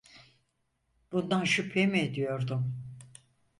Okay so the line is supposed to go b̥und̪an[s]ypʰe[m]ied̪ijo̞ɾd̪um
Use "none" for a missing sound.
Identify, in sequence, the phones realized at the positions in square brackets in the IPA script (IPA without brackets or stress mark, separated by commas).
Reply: ʃ, m